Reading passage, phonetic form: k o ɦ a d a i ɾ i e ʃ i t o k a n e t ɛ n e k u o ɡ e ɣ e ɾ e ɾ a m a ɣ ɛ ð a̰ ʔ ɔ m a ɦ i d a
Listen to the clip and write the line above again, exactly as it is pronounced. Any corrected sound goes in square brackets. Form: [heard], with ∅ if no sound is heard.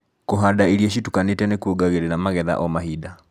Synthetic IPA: k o ɦ a d a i ɾ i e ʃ i t [u] k a n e t ɛ n e k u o ɡ [a] ɣ e ɾ e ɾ a m a ɣ ɛ ð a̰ ʔ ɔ m a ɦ i d a